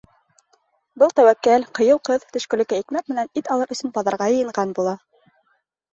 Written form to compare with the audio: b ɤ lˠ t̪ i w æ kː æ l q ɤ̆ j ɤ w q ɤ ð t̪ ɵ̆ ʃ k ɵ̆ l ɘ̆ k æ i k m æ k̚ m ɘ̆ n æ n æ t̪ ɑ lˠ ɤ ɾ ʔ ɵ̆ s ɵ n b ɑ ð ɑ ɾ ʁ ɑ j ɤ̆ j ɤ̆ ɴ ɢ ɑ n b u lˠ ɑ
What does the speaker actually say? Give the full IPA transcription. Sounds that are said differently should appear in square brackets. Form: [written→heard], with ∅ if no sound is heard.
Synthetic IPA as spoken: b ɤ lˠ t̪ [i→æ] w æ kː æ l q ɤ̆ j ɤ w q ɤ ð t̪ ɵ̆ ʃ k ɵ̆ l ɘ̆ k æ i k m æ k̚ m ɘ̆ n æ n [æ→i] t̪ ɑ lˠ ɤ ɾ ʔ ɵ̆ s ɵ n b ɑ ð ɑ ɾ ʁ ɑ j ɤ̆ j ɤ̆ ɴ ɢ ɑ n b u lˠ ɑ